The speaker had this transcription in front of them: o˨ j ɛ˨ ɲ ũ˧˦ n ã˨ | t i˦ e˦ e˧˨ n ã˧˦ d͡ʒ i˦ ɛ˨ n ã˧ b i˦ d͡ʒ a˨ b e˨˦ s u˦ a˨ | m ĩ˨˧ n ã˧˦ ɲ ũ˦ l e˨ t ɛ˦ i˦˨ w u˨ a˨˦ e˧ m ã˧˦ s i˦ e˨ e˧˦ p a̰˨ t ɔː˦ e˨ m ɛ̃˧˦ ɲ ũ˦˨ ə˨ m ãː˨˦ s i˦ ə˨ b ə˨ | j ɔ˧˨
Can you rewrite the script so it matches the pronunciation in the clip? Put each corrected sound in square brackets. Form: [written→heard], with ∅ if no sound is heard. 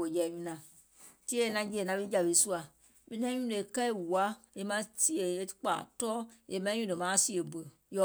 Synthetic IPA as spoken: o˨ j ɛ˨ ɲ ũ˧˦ n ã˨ | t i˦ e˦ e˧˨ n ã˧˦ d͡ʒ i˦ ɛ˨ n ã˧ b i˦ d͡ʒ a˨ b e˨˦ s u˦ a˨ | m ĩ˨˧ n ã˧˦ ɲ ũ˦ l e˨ [t→k] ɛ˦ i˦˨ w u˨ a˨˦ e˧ m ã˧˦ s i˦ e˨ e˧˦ [p→k͡p] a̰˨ t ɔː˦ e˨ m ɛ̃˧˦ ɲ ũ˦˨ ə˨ m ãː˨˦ s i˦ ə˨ b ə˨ | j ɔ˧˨